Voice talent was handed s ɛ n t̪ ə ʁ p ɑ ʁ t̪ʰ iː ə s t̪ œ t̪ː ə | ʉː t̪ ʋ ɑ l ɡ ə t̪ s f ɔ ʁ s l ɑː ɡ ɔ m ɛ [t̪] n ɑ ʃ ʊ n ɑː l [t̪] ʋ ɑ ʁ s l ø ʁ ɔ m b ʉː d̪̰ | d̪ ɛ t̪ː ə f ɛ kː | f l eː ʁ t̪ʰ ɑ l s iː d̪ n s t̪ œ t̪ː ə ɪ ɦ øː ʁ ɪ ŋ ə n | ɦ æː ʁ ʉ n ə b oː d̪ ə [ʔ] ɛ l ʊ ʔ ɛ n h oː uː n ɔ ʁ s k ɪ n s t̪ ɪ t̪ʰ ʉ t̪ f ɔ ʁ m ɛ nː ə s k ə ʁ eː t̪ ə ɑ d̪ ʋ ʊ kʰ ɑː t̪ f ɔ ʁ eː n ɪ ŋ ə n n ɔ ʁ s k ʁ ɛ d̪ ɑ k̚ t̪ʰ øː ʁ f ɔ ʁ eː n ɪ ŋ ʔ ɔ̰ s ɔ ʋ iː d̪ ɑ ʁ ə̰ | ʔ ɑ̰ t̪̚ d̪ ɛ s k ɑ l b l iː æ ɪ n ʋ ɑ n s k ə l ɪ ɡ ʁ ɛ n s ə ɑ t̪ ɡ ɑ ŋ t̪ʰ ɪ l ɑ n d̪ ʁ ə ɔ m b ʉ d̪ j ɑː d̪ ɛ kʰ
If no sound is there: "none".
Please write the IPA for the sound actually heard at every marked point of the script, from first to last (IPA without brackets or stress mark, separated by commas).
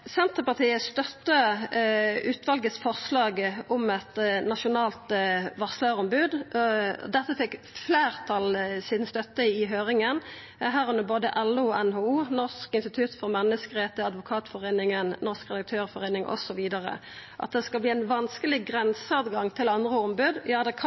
t̪, t̪, ʔ